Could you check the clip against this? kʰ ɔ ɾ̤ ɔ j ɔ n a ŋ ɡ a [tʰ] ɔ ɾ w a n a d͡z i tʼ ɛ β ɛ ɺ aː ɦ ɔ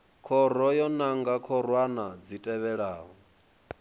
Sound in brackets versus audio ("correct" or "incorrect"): incorrect